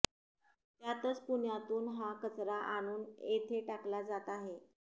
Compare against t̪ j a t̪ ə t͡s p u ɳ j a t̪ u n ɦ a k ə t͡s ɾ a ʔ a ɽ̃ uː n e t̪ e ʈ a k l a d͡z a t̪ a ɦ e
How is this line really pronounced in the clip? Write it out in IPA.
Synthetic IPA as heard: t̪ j a t̪ ə t͡s p u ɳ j a t̪ uː n ɦ a k ə t͡s ɾ a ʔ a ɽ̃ uː n e t̪ʰ e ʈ a k l a d͡z a t̪ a ɦ e